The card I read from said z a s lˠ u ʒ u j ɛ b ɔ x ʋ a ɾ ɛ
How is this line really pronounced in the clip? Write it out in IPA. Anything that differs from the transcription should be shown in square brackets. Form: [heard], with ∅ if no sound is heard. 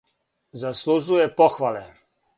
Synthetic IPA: z a s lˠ u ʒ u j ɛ [p] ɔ x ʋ a [l] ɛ